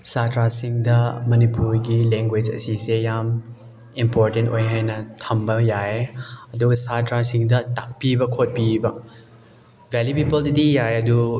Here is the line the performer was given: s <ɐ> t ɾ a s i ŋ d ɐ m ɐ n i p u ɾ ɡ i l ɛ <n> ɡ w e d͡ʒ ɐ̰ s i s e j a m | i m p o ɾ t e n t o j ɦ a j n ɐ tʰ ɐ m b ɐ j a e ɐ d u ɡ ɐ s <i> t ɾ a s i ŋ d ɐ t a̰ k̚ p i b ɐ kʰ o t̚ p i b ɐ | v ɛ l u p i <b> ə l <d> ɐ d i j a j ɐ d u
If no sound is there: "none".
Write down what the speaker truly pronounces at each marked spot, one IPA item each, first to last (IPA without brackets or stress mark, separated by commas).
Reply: a, ŋ, a, p, d